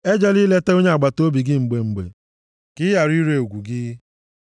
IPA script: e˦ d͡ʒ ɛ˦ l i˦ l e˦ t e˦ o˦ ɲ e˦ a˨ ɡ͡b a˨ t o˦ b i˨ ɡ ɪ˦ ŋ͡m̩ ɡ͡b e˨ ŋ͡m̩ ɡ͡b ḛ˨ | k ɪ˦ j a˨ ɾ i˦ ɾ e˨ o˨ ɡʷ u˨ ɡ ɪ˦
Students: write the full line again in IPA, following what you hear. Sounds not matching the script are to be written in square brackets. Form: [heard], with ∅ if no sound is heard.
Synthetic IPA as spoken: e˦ d͡ʒ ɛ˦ l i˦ l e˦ t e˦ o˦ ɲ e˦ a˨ ɡ͡b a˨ t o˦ b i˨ ɡ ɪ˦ ŋ͡m̩ ɡ͡b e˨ ŋ͡m̩ ɡ͡b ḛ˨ | k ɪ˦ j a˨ ɾ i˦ ɾ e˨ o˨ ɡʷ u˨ ɡ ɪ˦